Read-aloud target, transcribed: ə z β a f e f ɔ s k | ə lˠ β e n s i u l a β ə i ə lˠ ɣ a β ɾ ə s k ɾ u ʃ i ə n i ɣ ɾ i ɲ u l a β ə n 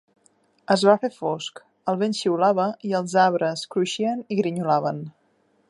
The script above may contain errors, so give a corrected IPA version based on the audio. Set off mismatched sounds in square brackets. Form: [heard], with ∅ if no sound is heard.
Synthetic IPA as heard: ə z β a f e f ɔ s k | ə lˠ β e n [ʃ] i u l a β ə i ə lˠ [z] a β ɾ ə s k ɾ u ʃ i ə n i ɣ ɾ i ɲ u l a β ə n